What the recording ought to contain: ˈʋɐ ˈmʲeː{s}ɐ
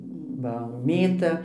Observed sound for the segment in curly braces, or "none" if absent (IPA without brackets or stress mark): t